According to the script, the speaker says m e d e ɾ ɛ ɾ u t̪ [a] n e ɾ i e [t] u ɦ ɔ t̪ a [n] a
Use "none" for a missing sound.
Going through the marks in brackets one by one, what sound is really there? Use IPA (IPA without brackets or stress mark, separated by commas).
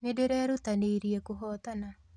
a, k, n